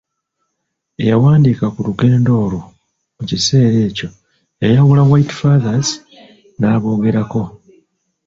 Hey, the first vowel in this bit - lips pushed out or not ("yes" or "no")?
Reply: no